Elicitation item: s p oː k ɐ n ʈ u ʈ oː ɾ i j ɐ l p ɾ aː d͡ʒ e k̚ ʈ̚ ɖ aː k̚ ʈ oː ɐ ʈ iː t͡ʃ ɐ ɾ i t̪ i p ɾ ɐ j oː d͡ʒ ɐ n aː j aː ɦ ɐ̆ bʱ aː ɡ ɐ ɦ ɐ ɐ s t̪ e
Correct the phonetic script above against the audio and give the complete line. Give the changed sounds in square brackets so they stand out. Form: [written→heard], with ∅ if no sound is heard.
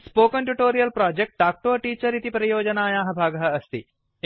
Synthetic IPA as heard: s p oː k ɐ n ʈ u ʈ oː ɾ i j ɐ l p ɾ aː d͡ʒ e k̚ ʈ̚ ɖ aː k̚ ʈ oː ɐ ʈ iː t͡ʃ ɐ ɾ i t̪ i p ɾ ɐ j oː d͡ʒ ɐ n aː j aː ɦ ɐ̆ bʱ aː ɡ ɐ ɦ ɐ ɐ s t̪ [e→i]